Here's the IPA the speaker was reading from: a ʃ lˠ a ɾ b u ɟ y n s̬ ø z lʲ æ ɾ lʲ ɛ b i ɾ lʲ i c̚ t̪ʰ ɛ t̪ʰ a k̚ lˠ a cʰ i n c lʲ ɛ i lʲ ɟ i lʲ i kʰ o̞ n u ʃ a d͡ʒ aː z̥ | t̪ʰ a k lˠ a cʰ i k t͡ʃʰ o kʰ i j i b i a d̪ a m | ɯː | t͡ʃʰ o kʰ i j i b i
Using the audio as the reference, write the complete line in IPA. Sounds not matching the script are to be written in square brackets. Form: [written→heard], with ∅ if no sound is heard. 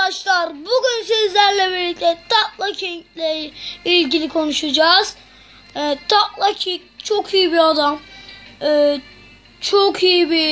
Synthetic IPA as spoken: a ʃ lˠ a ɾ b u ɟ y n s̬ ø z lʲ æ ɾ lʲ ɛ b i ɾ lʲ i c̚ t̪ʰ ɛ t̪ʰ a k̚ lˠ a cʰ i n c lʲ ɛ i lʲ ɟ i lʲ i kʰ o̞ n u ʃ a d͡ʒ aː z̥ | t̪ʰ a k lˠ a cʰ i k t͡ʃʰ o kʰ i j i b i a d̪ a m | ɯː | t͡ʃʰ o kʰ i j i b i